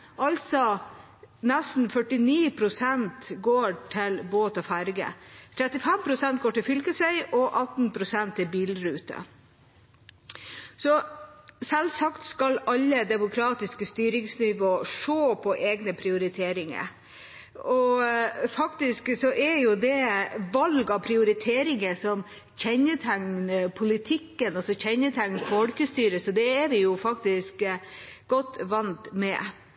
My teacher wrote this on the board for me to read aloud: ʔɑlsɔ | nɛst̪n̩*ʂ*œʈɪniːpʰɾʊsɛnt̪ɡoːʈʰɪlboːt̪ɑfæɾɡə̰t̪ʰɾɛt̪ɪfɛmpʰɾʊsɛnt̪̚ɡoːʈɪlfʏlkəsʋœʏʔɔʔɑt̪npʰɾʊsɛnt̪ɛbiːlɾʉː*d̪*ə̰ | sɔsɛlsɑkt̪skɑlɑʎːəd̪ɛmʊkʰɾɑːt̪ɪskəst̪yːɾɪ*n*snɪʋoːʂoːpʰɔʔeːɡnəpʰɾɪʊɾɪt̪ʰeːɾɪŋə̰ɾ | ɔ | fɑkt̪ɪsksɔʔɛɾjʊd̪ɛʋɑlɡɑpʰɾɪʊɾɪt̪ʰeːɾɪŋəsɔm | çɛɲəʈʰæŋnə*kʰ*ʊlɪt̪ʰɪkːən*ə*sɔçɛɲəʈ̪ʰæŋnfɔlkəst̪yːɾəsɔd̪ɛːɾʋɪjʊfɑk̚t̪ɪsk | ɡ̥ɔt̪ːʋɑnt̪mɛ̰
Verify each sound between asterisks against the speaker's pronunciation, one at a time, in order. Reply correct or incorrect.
incorrect: f, incorrect: t̪, incorrect: ŋ, incorrect: pʰ, incorrect: ɑ

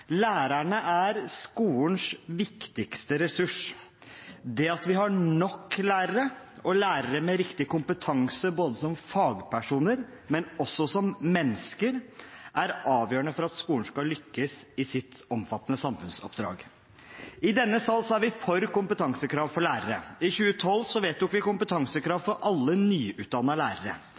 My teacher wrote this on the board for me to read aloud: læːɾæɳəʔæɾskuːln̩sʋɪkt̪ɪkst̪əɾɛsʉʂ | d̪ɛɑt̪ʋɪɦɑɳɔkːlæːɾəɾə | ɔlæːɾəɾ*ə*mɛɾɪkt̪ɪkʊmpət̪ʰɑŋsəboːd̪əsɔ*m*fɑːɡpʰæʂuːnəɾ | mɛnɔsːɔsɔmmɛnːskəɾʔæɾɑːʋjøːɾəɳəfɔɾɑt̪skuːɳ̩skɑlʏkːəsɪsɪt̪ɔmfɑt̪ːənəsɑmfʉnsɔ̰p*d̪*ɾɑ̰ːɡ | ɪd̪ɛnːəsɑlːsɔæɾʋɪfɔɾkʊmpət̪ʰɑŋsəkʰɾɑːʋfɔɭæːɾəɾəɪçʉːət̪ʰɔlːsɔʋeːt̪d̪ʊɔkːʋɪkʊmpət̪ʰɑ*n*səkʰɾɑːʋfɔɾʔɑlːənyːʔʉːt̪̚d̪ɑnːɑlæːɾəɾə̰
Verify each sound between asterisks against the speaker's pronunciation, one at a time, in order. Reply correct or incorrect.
correct, correct, correct, incorrect: ŋ

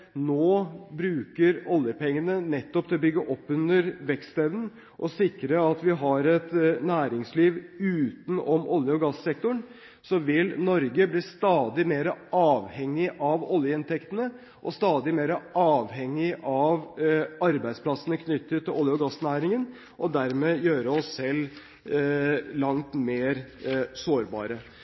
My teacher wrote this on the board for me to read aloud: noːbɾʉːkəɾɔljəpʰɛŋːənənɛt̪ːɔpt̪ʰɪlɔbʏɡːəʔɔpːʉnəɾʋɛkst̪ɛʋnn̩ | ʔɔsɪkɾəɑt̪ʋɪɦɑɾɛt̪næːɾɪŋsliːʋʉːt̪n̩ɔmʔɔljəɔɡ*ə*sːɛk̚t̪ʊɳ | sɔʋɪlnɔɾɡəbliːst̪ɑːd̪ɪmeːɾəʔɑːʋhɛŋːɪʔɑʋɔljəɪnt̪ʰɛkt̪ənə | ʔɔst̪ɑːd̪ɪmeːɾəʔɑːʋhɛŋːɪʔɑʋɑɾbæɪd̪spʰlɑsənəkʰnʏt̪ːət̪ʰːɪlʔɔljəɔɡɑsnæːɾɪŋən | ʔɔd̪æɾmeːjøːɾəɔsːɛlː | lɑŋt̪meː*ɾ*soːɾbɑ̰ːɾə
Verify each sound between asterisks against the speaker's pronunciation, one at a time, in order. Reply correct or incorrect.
incorrect: ɑ, correct

